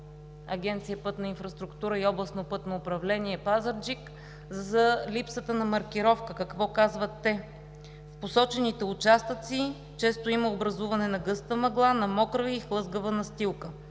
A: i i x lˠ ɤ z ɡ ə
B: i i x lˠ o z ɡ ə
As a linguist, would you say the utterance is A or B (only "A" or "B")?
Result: A